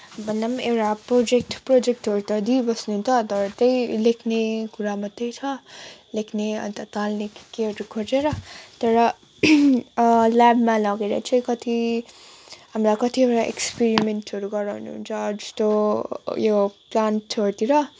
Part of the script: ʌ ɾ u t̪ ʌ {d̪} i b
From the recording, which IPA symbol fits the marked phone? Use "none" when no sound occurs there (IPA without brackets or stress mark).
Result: d̪